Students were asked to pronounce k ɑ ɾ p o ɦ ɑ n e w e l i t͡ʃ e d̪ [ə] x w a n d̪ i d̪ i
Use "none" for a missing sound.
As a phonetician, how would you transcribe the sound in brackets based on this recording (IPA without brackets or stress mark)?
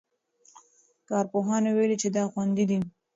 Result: ɑ